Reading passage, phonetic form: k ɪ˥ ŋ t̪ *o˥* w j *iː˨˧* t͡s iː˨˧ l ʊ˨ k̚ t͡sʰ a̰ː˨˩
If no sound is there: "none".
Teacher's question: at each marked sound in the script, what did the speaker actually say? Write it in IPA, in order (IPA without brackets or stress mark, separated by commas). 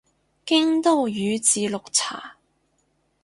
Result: o˥, yː˨˧